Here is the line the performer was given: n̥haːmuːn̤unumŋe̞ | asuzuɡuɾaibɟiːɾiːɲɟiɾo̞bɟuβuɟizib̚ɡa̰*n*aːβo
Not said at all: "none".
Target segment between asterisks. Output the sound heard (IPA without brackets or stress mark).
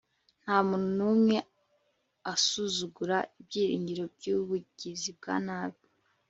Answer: n